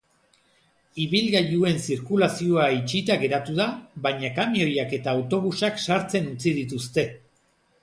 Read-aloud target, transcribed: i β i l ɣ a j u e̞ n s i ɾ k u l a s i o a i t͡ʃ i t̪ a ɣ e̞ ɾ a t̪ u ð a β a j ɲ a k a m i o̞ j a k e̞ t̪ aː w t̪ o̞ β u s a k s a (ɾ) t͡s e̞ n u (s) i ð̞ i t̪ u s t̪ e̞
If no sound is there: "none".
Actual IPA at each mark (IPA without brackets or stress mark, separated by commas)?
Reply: ɾ, t͡s